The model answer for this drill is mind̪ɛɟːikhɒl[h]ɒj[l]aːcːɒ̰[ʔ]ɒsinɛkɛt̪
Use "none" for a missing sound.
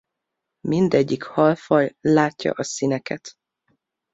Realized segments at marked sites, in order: f, l, ʔ

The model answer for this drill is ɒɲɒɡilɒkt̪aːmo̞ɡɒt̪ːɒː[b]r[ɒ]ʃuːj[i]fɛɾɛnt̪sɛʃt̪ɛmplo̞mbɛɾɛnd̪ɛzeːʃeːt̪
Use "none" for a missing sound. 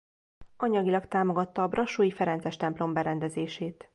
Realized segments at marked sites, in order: b, ɒ, i

